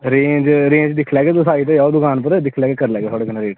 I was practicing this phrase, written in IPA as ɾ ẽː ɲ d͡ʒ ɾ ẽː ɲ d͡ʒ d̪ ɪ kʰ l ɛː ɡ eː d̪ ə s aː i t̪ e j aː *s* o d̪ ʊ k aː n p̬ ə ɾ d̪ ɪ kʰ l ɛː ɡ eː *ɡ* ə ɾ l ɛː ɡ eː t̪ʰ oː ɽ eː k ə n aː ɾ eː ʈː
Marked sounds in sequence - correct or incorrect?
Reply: incorrect, incorrect

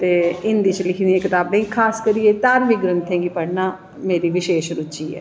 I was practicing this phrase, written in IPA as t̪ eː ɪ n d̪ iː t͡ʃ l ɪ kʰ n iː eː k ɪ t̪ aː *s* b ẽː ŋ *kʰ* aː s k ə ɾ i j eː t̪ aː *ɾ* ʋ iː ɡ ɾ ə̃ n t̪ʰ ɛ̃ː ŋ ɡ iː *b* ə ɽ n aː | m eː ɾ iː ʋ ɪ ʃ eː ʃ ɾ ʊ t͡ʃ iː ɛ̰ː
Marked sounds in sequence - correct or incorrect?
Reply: incorrect, correct, correct, incorrect

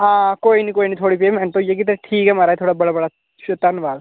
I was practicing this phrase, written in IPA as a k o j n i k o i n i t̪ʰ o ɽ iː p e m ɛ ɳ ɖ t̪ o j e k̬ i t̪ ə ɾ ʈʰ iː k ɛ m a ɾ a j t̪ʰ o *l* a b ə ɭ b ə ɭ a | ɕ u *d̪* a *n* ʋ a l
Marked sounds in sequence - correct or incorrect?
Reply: incorrect, incorrect, correct

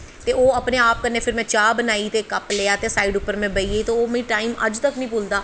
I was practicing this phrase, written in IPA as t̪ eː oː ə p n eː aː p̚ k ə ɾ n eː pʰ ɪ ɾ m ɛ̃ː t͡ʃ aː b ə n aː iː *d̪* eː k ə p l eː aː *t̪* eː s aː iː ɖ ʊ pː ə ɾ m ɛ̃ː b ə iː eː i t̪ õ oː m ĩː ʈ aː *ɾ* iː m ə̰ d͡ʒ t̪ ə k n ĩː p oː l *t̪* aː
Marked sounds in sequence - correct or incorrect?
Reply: incorrect, correct, incorrect, incorrect

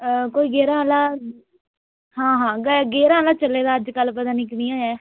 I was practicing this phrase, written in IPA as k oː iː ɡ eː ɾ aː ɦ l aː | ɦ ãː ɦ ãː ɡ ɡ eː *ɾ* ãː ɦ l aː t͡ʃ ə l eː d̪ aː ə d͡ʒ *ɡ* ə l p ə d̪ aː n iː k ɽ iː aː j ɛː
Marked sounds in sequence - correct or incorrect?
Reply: correct, incorrect

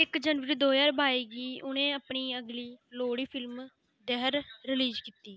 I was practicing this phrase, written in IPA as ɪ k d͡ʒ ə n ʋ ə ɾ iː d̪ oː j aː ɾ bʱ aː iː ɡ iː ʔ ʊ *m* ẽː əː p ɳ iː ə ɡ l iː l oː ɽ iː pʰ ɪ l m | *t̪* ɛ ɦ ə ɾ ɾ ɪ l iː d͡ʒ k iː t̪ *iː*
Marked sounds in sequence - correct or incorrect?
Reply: incorrect, incorrect, correct

